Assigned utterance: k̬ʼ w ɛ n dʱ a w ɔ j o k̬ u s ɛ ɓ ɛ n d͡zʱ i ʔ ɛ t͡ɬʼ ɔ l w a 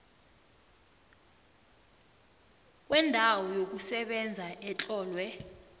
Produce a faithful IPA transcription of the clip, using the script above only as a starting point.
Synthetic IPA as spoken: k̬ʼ w ɛ n dʱ a w ɔ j o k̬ u s ɛ ɓ ɛ n d͡zʱ a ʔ ɛ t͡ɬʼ ɔː l w ɛ